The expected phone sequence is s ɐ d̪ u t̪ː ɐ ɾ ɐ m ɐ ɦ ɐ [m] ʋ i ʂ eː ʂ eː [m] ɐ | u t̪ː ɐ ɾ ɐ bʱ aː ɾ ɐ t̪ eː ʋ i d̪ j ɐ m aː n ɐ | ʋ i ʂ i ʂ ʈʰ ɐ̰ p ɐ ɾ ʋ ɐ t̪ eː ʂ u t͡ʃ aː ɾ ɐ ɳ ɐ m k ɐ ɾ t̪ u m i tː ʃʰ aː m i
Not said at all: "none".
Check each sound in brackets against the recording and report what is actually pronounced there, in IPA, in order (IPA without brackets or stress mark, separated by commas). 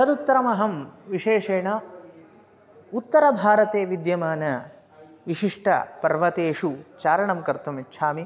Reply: m, ɳ